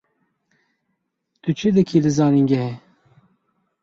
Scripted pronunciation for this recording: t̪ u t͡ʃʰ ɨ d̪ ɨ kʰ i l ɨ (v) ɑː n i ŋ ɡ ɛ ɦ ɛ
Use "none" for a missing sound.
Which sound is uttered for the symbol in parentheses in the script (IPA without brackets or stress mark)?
z